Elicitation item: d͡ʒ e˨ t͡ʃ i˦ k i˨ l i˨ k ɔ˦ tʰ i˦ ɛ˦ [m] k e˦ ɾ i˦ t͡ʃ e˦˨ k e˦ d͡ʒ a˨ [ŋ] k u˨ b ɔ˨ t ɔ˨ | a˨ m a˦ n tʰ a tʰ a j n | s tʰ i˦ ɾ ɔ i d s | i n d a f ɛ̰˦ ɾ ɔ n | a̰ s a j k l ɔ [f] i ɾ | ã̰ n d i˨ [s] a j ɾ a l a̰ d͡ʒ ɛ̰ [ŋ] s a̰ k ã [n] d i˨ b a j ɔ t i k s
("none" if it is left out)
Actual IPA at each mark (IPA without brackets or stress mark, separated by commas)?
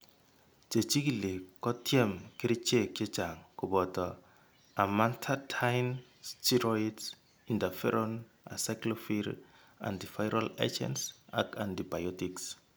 m, ŋ, f, f, n, n